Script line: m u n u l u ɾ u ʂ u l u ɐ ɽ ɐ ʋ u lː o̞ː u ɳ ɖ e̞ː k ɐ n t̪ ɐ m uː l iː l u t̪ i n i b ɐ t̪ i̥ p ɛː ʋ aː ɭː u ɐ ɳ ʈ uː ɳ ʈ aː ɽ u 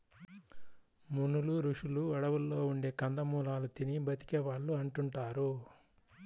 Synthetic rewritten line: m u n u l u ɾ u ʂ u l u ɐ ɽ ɐ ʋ u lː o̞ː u ɳ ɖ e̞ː k ɐ n d̪ ɐ m uː l aː l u t̪ i n i b ɐ t̪ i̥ k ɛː ʋ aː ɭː u ɐ ɳ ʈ u ɳ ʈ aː ɾ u